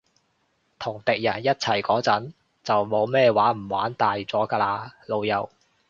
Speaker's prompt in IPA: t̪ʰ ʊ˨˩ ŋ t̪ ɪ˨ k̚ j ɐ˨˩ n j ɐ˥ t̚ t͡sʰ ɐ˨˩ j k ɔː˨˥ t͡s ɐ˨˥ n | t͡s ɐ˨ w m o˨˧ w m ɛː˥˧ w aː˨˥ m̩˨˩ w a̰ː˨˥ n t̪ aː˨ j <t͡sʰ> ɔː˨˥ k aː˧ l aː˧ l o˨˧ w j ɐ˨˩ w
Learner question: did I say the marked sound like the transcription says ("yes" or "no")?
no